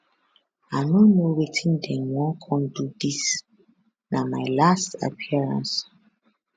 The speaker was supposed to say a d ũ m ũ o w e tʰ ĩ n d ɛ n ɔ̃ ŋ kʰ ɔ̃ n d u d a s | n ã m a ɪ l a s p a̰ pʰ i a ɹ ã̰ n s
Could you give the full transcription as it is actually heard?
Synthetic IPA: a n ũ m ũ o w e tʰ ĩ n d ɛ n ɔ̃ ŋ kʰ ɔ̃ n d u d i s | n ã m a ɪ l a s t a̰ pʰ i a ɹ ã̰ n s